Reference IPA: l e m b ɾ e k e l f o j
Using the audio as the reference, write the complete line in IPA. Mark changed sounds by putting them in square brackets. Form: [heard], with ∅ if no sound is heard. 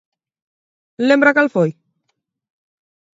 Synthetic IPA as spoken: l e m b ɾ [a] k [a] l f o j